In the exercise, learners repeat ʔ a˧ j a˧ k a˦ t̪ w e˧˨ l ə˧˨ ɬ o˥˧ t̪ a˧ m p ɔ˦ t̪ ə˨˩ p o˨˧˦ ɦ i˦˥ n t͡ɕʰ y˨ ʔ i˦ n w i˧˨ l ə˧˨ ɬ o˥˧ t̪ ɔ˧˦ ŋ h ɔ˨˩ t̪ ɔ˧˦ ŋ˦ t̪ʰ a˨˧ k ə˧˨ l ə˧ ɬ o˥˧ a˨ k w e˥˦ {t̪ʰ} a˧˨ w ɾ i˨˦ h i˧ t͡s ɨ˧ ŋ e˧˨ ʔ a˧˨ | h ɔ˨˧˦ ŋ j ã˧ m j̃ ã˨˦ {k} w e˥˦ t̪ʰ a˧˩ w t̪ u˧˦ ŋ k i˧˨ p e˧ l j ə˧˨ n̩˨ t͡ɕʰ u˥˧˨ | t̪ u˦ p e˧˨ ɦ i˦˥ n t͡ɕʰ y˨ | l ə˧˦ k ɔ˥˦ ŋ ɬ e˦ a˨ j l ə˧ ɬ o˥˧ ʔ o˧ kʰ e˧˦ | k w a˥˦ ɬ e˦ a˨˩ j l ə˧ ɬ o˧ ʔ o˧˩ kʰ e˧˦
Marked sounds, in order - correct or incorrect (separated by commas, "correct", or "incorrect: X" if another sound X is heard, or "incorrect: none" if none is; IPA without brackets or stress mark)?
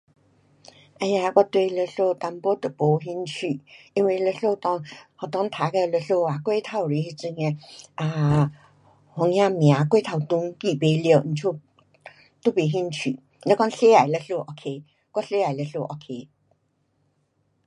correct, correct